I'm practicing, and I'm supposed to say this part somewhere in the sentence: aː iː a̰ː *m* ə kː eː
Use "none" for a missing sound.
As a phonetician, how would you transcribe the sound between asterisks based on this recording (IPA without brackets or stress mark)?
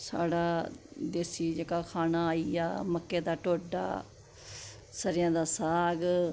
m